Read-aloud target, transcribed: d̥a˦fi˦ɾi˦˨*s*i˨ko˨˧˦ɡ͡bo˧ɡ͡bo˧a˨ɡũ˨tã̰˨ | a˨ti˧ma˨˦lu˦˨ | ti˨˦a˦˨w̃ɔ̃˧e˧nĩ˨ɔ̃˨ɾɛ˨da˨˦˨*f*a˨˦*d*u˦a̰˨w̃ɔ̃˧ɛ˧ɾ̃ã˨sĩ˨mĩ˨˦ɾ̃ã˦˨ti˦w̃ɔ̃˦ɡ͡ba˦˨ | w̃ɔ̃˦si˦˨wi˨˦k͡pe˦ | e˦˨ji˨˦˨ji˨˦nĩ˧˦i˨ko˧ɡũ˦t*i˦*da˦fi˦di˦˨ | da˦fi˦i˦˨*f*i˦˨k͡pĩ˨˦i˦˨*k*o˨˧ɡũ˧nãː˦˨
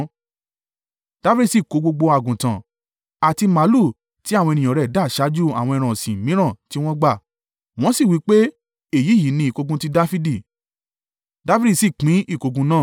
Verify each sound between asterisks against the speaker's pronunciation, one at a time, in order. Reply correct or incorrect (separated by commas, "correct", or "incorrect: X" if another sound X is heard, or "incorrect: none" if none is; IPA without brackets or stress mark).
correct, incorrect: ʃ, incorrect: d͡ʒ, correct, incorrect: s, correct